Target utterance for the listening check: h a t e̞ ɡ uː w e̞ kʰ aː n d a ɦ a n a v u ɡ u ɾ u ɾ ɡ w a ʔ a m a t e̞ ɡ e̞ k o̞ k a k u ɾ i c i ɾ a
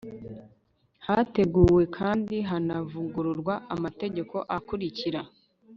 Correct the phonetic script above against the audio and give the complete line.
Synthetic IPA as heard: h a t e̞ ɡ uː w e̞ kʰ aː n d i ɦ a n a v u ɡ u ɾ u ɾ ɡ w a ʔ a m a t e̞ ɟ e̞ k o̞ ʔ a k u ɾ i c i ɾ a